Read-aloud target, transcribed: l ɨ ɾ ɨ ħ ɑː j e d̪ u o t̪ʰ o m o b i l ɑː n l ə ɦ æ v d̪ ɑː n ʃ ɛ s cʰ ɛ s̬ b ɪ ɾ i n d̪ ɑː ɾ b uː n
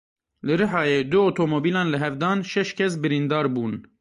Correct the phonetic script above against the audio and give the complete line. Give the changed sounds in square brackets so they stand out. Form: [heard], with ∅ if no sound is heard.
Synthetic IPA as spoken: l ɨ ɾ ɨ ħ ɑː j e d̪ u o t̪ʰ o m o b i l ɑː n l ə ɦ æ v d̪ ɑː n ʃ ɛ [ʃ] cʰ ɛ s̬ b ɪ ɾ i n d̪ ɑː ɾ b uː n